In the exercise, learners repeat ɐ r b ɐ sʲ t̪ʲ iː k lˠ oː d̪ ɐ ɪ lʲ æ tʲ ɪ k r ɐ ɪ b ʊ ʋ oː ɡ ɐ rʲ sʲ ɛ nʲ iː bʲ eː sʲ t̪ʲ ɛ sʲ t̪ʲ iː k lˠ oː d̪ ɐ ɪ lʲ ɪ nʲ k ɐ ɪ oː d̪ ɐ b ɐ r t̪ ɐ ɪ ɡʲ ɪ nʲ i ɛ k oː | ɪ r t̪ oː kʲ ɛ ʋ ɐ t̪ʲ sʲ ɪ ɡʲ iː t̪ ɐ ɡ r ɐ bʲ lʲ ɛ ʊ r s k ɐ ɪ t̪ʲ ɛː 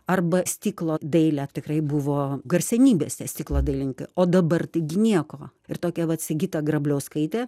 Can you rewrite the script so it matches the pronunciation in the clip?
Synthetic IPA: ɐ r b ɐ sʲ t̪ʲ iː k lˠ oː d̪ ɐ ɪ lʲ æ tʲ ɪ k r ɐ ɪ b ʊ ʋ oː ɡ ɐ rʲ sʲ ɛ nʲ iː bʲ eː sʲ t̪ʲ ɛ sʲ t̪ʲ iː k lˠ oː d̪ ɐ ɪ lʲ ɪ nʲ k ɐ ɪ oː d̪ ɐ b ɐ r t̪ ɐ ɪ ɡʲ ɪ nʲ i ɛ k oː | ɪ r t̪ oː kʲ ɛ ʋ ɐ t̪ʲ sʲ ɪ ɡʲ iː t̪ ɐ ɡ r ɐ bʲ lʲ ɛ ʊ s k ɐ ɪ t̪ʲ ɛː